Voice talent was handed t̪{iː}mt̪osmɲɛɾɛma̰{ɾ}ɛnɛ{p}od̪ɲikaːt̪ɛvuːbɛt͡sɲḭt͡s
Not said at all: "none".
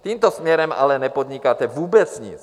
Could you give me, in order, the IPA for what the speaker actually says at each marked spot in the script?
iː, l, p

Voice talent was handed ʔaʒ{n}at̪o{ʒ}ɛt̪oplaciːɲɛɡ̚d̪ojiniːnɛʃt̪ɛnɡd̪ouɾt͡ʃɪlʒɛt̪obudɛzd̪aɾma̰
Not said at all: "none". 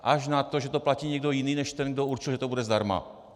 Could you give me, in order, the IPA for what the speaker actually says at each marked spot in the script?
n, ʒ

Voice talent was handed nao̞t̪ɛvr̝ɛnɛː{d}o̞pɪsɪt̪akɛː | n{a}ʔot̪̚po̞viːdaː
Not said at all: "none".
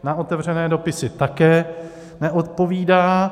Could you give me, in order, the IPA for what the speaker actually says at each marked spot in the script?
d, ɛ

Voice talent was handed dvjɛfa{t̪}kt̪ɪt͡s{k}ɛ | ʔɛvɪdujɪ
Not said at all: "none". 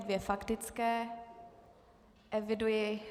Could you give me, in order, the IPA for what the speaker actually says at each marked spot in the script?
none, k

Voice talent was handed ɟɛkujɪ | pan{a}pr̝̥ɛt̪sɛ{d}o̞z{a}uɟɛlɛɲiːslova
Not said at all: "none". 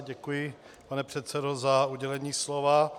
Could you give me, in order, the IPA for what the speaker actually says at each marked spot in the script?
ɛ, d, a

